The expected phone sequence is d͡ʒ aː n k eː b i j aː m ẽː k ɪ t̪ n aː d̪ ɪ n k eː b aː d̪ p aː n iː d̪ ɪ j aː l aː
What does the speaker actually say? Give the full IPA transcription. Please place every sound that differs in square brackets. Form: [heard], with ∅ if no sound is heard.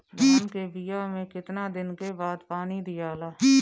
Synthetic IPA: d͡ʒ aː n k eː b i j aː m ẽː k ɪ t̪ n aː d̪ ɪ n k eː b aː d̪ p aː n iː d̪ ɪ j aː l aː